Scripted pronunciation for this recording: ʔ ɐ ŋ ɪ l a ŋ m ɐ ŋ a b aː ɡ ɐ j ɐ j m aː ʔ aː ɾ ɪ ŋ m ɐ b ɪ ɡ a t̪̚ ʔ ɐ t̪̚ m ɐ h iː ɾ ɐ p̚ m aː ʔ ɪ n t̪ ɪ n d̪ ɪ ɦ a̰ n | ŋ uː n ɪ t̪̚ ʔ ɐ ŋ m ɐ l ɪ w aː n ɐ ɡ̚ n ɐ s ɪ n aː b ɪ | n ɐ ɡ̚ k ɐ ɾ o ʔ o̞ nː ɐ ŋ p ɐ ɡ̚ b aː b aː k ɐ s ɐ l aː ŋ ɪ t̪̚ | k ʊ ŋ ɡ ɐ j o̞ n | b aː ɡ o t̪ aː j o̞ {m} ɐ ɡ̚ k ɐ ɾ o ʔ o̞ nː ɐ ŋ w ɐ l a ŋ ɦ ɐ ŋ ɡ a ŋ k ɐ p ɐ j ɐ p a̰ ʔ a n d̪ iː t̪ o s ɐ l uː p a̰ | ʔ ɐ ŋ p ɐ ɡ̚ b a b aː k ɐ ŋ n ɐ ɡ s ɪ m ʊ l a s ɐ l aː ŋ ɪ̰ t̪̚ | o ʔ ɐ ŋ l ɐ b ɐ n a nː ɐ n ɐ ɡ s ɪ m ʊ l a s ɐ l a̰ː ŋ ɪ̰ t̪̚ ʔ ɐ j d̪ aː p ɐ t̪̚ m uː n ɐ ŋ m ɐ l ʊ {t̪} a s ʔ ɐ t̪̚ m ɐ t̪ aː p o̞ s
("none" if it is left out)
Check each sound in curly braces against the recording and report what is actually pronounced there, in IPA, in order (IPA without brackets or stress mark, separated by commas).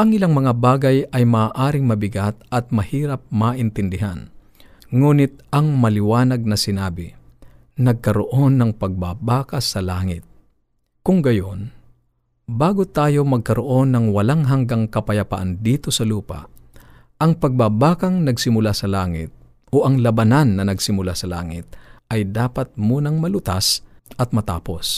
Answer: m, t̪